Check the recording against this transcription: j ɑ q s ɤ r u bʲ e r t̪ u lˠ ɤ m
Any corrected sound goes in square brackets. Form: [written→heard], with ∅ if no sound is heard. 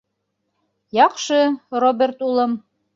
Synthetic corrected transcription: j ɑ q [s→ʃ] ɤ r [u→o] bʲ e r t̪ u lˠ ɤ m